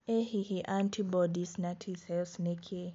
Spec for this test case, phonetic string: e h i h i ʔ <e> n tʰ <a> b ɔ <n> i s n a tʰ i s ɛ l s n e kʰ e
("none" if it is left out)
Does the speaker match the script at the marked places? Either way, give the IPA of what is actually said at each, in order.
a, i, d

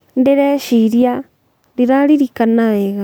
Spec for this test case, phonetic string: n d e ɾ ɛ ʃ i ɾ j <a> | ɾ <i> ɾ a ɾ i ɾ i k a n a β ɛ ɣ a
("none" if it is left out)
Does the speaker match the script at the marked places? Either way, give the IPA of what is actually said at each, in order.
a, i

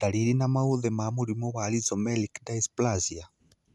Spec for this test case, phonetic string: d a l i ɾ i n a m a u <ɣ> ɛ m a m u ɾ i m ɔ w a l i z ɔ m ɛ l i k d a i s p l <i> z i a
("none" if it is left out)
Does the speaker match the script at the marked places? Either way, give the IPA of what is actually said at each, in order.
ð, a

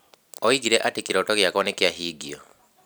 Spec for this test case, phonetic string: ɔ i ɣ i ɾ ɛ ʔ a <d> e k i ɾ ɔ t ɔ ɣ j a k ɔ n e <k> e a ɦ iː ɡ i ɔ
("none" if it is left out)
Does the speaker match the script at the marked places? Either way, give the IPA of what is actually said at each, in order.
t, k

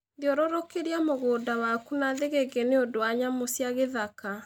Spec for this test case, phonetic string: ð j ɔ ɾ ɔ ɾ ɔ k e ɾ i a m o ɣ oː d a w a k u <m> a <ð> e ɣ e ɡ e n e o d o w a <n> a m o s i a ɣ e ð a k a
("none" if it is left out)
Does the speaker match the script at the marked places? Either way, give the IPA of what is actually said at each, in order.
n, ð, ɲ

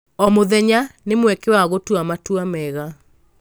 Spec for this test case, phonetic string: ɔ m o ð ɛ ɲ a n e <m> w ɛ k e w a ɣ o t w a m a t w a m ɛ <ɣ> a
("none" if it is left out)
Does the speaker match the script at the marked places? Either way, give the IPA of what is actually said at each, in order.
m, ɣ

